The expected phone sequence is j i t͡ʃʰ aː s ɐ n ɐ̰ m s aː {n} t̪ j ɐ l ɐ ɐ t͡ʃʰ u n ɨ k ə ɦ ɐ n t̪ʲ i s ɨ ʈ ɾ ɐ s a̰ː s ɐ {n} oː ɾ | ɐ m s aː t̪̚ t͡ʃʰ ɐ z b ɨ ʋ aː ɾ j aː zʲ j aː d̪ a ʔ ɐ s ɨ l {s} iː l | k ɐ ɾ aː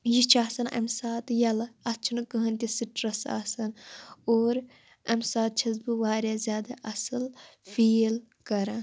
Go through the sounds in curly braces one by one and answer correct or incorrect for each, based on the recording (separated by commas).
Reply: incorrect, correct, incorrect